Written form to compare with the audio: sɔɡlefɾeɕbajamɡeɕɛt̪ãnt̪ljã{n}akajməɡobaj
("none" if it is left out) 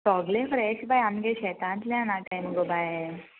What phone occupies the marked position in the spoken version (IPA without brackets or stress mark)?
n